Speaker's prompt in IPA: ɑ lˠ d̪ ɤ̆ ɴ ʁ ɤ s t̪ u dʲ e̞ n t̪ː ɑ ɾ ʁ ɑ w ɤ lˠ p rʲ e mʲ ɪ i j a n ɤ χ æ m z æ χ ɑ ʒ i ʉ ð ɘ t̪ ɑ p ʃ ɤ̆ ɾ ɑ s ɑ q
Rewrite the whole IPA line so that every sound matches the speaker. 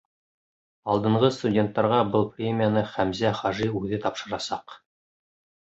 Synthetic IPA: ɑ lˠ d̪ ɤ̆ ɴ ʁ ɤ s t̪ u dʲ e̞ n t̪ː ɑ ɾ ʁ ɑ b ɤ lˠ p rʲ e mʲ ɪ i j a n ɤ χ æ m z æ χ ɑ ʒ i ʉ ð ɘ t̪ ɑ p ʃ ɤ̆ ɾ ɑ s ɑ q